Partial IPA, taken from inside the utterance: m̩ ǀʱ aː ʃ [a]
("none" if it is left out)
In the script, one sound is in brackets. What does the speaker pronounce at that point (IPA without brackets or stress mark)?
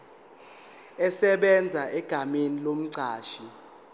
i